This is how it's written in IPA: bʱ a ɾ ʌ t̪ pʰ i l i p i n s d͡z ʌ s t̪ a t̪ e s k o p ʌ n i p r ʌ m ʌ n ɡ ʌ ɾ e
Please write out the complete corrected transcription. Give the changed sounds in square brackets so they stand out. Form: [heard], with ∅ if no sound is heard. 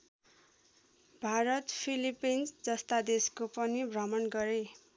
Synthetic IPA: bʱ a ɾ ʌ t̪ pʰ i l i p i n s d͡z ʌ s t̪ a [d̪] e s k o p ʌ n i [b] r ʌ m ʌ n ɡ ʌ ɾ e